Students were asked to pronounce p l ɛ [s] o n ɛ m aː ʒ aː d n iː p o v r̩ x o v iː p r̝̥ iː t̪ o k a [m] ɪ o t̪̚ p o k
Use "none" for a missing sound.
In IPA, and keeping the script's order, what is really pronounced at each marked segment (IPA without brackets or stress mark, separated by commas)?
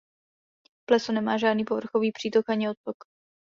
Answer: s, ɲ